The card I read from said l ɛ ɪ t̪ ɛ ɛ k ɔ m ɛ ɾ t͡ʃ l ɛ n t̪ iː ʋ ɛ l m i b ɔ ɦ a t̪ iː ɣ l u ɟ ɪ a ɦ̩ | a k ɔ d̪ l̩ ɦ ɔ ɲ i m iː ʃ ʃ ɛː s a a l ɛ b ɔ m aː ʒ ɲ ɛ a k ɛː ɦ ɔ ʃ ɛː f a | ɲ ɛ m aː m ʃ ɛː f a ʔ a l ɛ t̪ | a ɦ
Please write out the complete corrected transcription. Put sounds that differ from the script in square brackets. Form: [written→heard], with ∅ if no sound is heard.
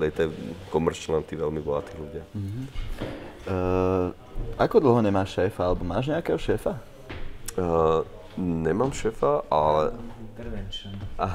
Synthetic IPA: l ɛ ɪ t̪ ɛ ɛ k ɔ m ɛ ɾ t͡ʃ l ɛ n t̪ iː ʋ ɛ l m i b ɔ ɦ a t̪ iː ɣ l u ɟ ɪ a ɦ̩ | a k ɔ d̪ l̩ ɦ ɔ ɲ [i→ɛ] m [iː→aː] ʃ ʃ ɛː [s→f] a a l ɛ b ɔ m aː ʒ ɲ ɛ a k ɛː ɦ ɔ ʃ ɛː f a | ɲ ɛ m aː m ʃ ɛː f a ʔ a l ɛ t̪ | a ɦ